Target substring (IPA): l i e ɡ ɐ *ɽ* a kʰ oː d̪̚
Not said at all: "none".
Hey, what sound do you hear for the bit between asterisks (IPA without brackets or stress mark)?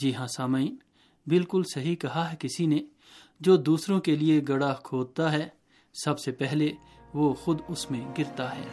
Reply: ɽ